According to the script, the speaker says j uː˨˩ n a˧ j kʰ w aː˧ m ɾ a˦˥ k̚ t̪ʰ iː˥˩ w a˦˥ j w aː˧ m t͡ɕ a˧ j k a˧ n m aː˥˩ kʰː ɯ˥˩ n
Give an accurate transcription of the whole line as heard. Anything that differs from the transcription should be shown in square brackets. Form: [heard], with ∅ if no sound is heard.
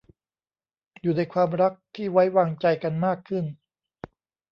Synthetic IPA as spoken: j uː˨˩ n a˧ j kʰ w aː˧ m ɾ a˦˥ k̚ t̪ʰ iː˥˩ w a˦˥ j w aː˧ [ŋ] t͡ɕ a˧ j k a˧ n m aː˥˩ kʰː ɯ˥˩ n